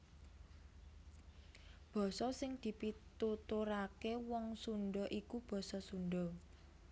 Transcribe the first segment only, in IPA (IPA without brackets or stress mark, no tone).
b̥